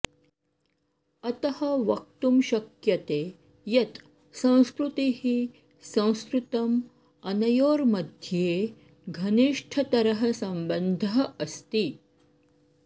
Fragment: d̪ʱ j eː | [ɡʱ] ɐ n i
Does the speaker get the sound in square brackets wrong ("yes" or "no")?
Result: no